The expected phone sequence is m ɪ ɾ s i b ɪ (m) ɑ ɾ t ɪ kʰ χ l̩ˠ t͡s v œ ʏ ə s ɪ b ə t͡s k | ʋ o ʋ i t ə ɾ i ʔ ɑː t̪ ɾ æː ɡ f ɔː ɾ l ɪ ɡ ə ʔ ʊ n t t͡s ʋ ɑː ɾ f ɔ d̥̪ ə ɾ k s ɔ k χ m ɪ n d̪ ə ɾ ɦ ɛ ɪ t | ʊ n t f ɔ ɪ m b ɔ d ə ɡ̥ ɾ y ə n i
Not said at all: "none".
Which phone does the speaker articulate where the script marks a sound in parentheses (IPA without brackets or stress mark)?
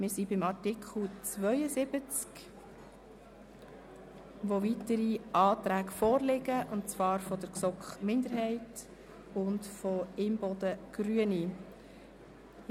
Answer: m